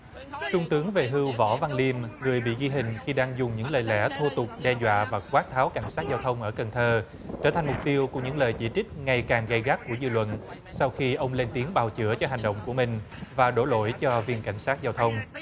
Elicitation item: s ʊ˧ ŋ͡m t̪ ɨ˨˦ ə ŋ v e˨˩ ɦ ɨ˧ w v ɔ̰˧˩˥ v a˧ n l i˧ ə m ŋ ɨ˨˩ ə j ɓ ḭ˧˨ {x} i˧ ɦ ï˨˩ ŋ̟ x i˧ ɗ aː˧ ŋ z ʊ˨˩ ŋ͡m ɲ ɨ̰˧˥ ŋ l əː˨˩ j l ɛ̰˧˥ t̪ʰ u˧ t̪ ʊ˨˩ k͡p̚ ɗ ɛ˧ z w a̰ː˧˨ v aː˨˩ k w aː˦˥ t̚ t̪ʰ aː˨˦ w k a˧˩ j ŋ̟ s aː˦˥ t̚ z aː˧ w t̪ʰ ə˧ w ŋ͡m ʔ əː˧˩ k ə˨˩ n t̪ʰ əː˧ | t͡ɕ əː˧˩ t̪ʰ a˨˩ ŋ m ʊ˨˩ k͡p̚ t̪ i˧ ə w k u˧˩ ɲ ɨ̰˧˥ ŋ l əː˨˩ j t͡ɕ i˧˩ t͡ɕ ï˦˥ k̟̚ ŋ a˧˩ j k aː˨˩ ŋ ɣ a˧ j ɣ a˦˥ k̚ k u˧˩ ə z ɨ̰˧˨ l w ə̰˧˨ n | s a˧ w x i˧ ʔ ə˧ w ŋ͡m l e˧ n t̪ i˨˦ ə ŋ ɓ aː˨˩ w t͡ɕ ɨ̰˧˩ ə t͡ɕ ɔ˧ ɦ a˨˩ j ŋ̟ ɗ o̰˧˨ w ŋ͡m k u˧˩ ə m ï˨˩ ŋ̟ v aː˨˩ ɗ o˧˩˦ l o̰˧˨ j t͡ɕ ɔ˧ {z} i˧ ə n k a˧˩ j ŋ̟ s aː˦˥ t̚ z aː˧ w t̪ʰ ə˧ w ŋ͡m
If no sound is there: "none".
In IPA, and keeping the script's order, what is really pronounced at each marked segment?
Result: ɣ, v

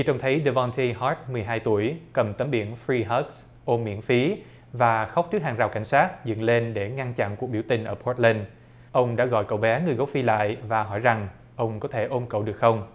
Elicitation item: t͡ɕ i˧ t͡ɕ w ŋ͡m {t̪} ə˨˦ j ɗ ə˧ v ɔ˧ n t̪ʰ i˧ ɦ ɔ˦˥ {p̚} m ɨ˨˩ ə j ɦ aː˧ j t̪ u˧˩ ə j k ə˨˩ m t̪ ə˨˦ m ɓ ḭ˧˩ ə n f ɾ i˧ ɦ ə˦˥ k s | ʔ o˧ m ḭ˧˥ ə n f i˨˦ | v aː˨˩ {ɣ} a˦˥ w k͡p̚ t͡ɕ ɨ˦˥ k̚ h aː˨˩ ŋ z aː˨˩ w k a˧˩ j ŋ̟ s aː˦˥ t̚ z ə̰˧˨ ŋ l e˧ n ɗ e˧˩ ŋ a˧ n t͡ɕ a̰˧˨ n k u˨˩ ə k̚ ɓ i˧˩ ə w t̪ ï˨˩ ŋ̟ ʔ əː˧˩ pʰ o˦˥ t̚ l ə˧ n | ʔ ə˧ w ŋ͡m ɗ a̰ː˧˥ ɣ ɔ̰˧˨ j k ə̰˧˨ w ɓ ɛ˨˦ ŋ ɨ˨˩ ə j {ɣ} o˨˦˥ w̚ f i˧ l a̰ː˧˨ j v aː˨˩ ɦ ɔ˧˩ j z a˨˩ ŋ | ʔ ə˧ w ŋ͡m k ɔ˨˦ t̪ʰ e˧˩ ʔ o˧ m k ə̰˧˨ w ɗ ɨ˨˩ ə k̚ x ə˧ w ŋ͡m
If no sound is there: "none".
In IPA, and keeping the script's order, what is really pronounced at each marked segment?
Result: t̪ʰ, t̚, x, ɣ

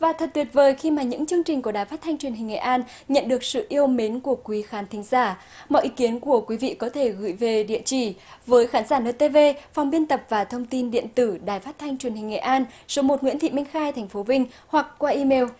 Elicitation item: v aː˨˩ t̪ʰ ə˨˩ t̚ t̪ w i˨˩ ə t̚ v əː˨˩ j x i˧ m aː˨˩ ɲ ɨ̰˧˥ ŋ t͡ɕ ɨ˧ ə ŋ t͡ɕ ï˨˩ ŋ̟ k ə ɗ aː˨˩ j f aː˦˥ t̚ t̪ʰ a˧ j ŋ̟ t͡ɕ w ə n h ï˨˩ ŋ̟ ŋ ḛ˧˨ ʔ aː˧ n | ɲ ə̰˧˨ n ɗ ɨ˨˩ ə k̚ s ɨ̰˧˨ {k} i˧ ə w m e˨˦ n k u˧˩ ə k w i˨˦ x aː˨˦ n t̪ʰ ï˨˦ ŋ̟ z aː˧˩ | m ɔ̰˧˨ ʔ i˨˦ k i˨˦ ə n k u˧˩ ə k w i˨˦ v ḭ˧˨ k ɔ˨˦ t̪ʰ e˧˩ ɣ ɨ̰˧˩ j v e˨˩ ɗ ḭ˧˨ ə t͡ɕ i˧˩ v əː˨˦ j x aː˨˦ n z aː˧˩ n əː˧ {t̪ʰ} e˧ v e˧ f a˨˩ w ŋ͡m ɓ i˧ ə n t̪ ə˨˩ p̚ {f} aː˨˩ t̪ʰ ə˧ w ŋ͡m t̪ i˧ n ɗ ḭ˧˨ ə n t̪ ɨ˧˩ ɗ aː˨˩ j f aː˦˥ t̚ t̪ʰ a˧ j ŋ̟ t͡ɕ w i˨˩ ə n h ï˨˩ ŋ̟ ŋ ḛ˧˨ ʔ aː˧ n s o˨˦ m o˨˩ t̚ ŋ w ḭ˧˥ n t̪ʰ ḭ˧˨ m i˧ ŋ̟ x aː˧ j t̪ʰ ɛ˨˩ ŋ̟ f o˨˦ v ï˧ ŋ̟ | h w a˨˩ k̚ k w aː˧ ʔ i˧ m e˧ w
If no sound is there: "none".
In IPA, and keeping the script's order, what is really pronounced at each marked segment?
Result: ʔ, t̪, v

